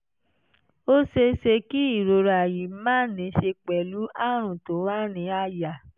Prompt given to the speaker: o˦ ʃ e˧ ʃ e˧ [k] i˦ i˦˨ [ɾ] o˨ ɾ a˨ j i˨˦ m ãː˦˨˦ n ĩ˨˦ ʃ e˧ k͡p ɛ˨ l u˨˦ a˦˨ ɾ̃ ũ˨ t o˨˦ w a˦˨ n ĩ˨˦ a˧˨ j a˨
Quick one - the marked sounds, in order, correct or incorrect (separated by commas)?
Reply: correct, correct